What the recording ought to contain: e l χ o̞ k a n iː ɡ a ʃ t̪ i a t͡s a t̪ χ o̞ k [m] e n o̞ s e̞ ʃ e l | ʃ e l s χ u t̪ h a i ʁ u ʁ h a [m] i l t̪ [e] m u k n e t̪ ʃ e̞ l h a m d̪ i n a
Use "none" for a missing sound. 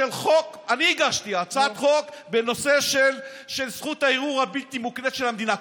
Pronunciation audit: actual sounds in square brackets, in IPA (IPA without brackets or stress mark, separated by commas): b, b, i